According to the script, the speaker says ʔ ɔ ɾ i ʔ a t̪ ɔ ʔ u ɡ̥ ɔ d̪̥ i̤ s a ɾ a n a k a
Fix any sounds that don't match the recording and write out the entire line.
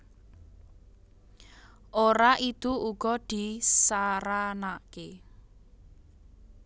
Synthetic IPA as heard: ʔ o ɾ a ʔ i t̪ u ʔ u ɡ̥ ɔ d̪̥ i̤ s a ɾ a n a k e